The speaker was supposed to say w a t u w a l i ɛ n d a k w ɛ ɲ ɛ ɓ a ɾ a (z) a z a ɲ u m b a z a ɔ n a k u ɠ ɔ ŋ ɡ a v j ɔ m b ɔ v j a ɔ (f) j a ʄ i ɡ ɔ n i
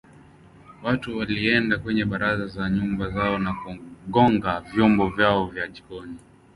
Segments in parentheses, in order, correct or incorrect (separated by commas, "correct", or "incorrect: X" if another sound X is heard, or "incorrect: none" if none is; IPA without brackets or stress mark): correct, incorrect: v